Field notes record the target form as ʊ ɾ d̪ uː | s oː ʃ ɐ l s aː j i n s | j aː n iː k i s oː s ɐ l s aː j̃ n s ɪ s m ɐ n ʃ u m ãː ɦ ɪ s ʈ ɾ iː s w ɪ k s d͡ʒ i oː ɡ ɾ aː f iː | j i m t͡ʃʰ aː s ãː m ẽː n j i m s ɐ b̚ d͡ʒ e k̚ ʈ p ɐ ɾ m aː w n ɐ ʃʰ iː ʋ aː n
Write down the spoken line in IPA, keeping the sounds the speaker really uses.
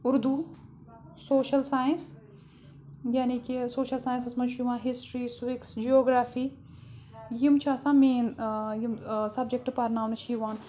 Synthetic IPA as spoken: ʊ ɾ d̪ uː | s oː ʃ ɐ l s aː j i n s | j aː n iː k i s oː ʃ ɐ l s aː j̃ n s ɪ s m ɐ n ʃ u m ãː ɦ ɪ s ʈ ɾ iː s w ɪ k s d͡ʒ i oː ɡ ɾ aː f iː | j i m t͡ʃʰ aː s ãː m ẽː n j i m s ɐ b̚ d͡ʒ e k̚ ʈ p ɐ ɾ n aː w n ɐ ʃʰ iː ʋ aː n